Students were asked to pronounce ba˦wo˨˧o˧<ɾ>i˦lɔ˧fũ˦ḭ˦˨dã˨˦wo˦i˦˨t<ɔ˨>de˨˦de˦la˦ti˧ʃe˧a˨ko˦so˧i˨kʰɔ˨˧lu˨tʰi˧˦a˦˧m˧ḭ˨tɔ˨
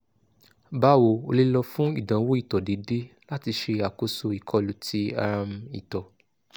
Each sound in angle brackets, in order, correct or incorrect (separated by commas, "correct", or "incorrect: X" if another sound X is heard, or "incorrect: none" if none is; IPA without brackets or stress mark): incorrect: l, correct